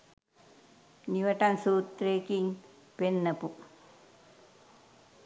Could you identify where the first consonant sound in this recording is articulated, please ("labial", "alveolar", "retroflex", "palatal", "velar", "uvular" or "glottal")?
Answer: alveolar